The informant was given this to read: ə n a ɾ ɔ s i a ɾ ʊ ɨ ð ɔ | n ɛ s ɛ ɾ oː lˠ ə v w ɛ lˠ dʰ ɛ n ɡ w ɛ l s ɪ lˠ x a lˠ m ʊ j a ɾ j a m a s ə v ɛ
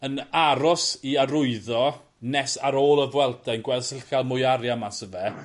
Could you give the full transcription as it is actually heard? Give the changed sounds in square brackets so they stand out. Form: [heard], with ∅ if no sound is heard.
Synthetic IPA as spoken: ə n a ɾ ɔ s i a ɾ ʊ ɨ ð ɔ | n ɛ s [a] ɾ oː lˠ ə v w ɛ lˠ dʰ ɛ n ɡ w ɛ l s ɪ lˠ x a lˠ m ʊ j a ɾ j a m a s ə v ɛ